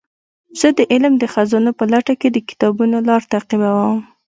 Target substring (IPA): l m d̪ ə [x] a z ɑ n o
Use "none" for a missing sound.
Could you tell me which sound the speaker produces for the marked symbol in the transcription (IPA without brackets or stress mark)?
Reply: x